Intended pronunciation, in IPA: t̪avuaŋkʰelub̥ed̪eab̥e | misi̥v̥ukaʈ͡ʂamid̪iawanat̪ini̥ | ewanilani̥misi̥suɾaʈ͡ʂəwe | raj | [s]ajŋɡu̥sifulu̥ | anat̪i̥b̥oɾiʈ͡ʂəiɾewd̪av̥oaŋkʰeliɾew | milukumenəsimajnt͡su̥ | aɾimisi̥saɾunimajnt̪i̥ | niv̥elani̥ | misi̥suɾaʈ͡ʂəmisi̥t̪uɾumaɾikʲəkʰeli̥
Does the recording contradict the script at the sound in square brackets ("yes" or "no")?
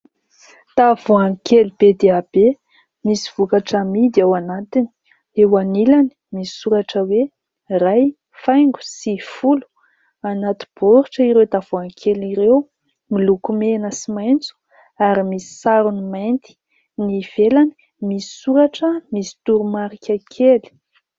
yes